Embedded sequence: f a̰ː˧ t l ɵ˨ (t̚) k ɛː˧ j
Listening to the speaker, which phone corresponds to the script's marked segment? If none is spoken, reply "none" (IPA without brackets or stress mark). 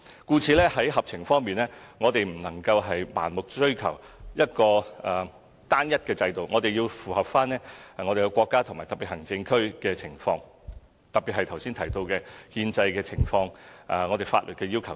t̚